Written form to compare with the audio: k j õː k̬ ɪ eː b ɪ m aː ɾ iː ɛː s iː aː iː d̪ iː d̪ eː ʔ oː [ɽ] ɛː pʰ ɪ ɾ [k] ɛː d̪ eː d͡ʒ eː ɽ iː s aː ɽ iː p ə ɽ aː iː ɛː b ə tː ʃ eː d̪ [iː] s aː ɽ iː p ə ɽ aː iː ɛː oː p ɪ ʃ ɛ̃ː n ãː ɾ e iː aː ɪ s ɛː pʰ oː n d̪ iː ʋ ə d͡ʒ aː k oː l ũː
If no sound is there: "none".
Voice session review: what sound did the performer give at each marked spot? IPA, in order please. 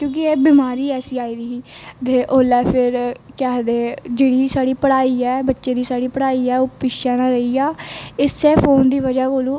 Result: l, k, iː

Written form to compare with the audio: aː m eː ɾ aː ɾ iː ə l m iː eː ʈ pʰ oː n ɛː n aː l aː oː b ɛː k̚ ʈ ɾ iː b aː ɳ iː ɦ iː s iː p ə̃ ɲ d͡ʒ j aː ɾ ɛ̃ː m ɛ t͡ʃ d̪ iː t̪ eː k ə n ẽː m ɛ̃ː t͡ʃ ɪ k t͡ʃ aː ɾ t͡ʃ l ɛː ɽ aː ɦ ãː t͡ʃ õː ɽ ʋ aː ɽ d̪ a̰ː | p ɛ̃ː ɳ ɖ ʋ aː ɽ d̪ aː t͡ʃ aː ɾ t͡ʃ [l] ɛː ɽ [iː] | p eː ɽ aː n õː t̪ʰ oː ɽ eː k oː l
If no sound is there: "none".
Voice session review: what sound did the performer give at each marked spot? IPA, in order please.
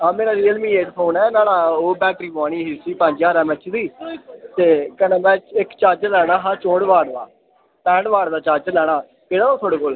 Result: l, aː

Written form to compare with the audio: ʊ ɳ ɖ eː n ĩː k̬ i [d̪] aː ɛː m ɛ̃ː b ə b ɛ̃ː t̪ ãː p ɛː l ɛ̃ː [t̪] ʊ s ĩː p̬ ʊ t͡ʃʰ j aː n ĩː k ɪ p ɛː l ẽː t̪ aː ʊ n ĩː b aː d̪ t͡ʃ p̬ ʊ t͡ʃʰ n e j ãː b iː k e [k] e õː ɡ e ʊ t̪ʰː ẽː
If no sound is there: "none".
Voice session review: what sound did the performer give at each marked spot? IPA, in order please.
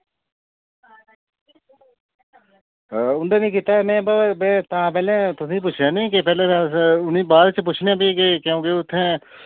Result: t̪, t̪, k

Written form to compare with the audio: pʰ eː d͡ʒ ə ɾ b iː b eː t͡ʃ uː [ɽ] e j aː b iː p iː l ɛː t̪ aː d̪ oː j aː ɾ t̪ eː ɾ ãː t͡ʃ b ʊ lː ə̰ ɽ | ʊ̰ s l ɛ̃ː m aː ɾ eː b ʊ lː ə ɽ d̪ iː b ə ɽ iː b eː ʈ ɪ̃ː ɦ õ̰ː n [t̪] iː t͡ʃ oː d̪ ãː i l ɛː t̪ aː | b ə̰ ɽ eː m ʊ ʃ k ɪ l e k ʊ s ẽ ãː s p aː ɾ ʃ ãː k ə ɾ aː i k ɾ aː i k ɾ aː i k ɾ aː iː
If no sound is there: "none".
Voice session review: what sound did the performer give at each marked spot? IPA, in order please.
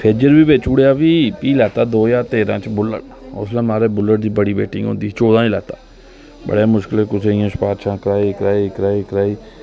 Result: ɽ, d̪

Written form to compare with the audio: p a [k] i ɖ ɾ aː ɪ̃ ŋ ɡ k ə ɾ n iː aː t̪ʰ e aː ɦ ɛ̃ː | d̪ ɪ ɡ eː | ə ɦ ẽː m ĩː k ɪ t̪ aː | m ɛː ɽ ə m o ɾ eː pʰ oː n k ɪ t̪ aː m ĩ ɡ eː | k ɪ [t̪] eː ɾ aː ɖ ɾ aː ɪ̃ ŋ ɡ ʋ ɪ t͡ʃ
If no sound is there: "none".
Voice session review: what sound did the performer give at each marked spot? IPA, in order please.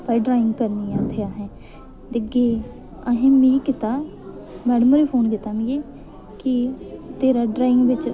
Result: none, t̪

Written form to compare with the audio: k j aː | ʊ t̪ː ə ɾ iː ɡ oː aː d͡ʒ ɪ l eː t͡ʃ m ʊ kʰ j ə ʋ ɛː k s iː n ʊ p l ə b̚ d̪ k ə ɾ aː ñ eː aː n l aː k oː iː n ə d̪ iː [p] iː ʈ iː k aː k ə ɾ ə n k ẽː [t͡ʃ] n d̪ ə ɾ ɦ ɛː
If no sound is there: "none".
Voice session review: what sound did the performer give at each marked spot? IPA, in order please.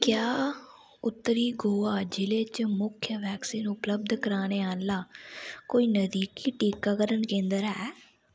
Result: k, none

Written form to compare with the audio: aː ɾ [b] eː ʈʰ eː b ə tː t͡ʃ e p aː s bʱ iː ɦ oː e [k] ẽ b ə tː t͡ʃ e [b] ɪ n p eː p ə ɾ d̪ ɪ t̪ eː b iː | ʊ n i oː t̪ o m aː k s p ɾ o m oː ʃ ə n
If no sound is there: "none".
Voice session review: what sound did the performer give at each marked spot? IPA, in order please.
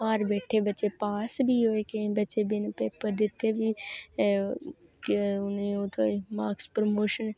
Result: b, k, b

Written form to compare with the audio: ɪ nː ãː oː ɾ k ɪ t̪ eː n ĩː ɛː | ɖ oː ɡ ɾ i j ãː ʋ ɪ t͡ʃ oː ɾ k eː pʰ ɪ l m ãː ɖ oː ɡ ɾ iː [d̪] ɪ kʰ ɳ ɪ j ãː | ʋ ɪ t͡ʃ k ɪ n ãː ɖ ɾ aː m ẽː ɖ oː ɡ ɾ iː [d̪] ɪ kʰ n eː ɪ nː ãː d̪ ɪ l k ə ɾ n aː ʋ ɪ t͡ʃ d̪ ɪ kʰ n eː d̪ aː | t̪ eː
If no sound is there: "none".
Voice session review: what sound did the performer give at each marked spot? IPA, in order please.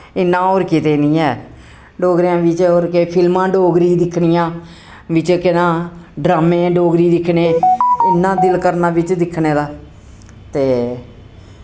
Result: d̪, d̪

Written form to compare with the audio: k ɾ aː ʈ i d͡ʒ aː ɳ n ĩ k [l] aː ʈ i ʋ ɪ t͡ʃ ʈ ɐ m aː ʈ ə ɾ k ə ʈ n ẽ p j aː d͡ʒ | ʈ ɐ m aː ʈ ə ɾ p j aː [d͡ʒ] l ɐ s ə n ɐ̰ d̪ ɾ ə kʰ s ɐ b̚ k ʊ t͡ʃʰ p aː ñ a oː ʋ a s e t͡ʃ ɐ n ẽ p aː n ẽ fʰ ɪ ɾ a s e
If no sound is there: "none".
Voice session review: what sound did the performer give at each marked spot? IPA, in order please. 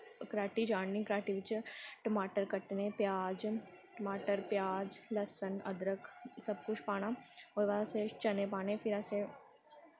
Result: ɾ, d͡ʒ

